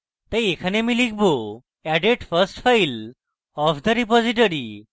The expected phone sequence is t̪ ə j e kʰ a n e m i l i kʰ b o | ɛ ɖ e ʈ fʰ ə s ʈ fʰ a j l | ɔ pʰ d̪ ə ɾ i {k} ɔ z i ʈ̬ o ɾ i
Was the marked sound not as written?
yes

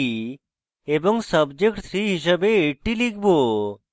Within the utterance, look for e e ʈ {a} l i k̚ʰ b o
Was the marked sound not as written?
yes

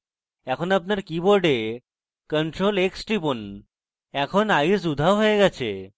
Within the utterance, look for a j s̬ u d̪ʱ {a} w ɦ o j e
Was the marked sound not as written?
no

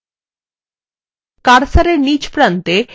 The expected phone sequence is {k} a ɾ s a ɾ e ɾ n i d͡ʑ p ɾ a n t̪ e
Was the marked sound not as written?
no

